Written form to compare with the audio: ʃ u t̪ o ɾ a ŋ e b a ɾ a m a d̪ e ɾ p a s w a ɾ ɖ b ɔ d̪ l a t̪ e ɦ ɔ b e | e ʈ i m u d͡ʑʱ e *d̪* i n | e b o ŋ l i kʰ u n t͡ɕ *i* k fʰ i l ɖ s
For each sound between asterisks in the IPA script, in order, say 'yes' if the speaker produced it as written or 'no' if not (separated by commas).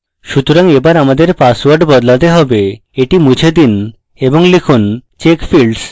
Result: yes, no